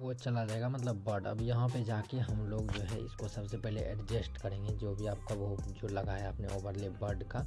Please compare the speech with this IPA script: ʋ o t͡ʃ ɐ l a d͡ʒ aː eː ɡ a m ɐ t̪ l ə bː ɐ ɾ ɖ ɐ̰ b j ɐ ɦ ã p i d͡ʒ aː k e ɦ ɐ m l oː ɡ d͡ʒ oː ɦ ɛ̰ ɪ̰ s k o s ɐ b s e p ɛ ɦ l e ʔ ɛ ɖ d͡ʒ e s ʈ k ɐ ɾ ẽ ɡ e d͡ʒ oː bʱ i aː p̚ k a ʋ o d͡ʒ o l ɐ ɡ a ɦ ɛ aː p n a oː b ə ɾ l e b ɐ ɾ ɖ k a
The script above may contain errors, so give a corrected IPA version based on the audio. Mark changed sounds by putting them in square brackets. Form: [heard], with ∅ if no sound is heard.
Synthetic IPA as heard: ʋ o t͡ʃ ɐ l a d͡ʒ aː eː ɡ a m ɐ t̪ l ə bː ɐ ɾ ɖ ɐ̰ b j ɐ ɦ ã p [e] d͡ʒ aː k e ɦ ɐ m l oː ɡ d͡ʒ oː ɦ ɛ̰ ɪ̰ s k o s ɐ b s e p ɛ ɦ l e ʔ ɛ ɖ d͡ʒ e s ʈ k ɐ ɾ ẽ ɡ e d͡ʒ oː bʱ i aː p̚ k a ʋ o d͡ʒ o l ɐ ɡ a ɦ ɛ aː p n [e] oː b ə ɾ l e b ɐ ɾ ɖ k a